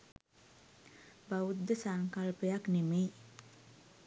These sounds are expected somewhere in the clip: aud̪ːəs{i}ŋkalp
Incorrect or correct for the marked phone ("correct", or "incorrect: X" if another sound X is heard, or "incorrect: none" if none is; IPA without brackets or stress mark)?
incorrect: a